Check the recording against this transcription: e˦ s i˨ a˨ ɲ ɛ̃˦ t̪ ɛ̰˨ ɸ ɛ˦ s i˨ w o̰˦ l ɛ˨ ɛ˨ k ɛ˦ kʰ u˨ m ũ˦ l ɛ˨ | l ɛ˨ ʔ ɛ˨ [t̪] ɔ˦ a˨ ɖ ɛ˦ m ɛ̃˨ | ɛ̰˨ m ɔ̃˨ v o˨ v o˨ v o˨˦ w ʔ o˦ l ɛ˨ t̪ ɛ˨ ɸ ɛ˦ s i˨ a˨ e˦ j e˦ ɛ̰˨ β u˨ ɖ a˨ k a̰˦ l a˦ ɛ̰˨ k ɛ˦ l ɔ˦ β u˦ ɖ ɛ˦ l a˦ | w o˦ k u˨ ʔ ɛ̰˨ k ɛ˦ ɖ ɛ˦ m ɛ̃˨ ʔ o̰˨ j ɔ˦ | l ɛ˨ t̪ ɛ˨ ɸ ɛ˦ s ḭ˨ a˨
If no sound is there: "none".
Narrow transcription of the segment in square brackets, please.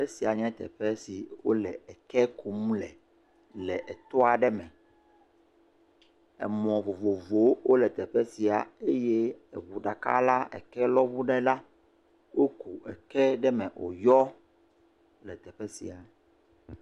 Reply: t̪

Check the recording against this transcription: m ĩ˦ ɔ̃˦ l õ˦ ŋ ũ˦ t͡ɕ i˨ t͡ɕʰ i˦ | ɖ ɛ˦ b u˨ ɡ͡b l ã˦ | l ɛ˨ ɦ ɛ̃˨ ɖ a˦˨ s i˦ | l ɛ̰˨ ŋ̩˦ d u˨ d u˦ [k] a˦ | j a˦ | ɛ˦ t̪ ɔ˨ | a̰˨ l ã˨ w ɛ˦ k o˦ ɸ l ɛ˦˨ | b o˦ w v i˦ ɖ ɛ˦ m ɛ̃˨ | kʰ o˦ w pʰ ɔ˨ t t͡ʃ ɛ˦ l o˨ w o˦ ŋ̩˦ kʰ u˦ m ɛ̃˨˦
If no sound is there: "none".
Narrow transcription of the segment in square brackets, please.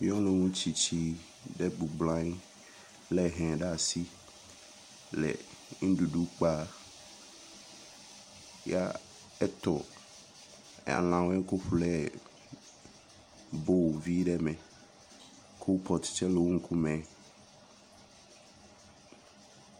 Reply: k͡p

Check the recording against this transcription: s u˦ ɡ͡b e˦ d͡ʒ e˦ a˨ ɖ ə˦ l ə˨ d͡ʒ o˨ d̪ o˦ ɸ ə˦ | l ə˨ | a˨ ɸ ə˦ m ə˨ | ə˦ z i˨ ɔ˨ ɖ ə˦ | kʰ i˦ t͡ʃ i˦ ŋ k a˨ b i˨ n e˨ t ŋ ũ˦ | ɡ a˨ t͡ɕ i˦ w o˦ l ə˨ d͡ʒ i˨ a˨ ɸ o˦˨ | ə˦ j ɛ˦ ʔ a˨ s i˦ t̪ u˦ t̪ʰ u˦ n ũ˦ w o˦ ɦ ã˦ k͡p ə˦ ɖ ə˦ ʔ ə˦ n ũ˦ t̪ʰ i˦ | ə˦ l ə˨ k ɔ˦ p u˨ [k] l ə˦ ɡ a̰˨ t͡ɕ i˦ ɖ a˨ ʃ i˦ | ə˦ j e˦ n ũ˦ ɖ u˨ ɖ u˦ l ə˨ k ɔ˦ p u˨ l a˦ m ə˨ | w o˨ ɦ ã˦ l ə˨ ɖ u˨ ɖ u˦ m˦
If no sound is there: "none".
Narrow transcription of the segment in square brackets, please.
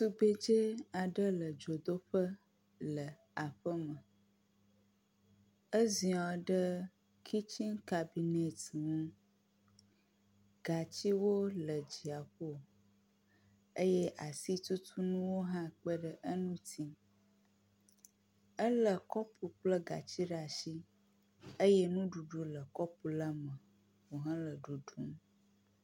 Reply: k͡p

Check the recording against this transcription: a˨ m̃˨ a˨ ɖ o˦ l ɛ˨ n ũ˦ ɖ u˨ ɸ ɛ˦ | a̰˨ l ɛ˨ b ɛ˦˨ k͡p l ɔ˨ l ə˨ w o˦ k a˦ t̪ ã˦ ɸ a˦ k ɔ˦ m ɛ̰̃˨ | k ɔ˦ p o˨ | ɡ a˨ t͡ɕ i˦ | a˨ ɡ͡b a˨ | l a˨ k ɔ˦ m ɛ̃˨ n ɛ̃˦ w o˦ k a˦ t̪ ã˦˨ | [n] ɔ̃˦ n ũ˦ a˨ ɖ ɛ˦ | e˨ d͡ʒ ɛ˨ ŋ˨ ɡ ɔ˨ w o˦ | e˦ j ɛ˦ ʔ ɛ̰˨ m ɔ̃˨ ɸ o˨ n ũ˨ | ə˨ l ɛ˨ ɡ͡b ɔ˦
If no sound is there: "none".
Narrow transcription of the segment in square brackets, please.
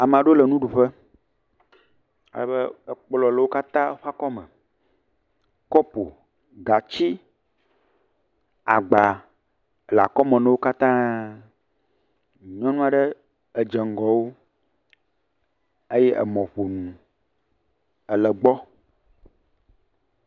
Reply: ɲ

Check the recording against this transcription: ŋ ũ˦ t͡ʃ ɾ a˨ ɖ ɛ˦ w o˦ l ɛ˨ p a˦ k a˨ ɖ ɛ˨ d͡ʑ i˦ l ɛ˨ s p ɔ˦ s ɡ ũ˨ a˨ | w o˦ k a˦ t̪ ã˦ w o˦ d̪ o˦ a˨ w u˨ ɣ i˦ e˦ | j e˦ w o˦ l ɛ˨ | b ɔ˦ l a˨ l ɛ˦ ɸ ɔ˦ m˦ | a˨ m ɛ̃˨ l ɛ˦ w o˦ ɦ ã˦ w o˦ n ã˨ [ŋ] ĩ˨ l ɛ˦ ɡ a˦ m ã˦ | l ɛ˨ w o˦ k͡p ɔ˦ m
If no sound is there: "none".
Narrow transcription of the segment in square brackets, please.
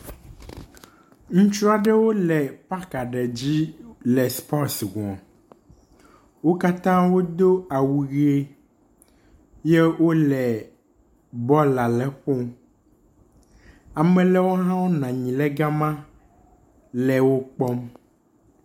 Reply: ɲ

